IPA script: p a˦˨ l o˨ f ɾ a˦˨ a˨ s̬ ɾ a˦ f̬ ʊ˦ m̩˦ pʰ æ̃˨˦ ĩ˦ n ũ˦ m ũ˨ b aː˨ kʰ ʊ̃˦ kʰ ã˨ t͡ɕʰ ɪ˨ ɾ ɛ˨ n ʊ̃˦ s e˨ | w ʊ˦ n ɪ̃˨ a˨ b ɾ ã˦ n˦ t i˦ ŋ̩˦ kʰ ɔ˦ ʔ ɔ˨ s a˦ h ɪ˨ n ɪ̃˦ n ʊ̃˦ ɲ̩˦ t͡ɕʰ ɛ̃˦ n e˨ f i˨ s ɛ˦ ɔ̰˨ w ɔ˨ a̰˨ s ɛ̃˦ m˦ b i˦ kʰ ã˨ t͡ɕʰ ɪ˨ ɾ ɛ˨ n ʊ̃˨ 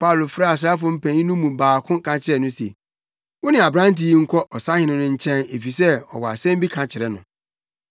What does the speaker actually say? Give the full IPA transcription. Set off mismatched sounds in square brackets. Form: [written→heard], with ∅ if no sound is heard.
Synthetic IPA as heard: p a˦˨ l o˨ f ɾ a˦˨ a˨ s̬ ɾ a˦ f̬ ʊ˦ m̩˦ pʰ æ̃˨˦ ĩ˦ n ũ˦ m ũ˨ b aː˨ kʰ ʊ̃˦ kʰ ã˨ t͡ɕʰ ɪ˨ ɾ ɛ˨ n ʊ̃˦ s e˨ | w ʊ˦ n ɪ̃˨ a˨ b ɾ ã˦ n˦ t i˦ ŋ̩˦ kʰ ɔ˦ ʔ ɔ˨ s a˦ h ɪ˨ n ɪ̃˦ n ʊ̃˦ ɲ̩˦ t͡ɕʰ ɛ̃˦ n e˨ f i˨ s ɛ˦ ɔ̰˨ w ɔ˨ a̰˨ s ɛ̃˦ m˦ b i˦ kʰ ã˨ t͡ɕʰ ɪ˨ ɾ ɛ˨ n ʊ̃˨